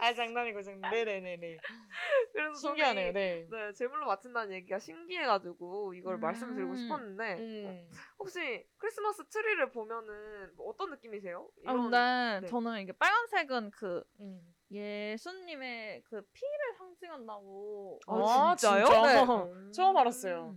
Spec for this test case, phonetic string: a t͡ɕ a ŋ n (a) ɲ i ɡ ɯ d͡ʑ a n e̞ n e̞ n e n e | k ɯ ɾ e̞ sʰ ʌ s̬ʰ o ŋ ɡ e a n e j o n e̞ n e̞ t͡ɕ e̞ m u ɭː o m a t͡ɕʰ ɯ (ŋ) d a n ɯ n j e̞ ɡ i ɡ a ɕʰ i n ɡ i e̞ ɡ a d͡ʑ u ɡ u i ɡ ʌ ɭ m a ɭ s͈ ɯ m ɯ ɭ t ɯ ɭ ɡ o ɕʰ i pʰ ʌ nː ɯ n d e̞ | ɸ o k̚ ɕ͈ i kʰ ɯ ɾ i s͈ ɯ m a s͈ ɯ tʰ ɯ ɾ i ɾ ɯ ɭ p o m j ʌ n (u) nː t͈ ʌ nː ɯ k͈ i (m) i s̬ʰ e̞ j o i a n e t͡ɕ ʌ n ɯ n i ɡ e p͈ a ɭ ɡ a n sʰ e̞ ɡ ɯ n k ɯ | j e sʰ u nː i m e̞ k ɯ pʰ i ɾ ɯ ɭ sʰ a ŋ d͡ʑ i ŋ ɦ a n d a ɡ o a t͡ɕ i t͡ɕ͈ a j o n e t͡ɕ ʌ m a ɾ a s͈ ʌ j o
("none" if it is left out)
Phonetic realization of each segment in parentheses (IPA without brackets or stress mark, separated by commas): a, n, ɯ, m